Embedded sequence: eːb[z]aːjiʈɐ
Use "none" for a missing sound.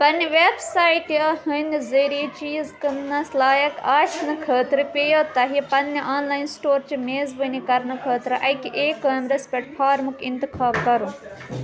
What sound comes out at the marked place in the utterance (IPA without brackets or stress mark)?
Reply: s